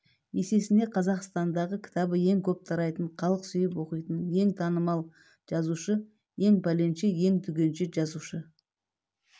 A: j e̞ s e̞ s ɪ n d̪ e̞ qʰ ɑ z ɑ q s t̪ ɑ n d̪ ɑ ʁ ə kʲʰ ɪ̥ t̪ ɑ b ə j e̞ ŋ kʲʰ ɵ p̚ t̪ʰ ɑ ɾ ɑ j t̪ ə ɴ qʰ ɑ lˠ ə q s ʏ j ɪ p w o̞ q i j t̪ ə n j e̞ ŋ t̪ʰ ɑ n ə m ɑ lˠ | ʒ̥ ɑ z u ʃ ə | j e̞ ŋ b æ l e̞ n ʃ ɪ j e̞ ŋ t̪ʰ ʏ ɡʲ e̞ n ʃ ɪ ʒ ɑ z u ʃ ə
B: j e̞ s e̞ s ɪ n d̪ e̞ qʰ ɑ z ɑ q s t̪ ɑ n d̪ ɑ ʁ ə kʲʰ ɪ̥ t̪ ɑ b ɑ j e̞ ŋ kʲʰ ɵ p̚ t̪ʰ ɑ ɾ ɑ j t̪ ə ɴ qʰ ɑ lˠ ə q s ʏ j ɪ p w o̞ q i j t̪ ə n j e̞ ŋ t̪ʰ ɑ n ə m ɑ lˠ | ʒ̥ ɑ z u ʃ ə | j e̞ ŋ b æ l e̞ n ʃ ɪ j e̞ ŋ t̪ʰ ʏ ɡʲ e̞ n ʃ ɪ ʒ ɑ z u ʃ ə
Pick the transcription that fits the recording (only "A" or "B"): A